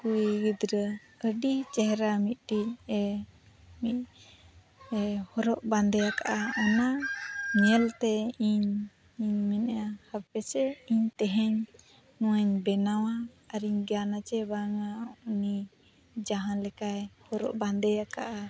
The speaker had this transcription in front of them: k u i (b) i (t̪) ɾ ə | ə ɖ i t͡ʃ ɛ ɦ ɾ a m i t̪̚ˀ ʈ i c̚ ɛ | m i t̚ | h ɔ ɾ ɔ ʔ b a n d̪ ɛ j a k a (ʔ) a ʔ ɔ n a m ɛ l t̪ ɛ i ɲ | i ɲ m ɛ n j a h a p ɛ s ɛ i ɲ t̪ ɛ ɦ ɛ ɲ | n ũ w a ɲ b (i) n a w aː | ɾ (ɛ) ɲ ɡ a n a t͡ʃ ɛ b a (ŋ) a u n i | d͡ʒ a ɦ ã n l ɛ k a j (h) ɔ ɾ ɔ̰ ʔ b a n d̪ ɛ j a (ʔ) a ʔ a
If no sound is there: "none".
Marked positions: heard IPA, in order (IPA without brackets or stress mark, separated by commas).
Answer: ɡ, d̪, ʔ, ɛ, i, ŋ, h, k